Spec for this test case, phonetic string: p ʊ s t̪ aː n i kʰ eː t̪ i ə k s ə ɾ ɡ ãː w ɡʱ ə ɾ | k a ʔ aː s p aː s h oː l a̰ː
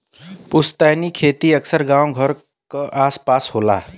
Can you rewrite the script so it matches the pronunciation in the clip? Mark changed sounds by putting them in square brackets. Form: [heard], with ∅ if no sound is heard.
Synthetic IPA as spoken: p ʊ s t̪ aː n i kʰ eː t̪ i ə k s ə ɾ ɡ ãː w ɡʱ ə ɾ | k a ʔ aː s p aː s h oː l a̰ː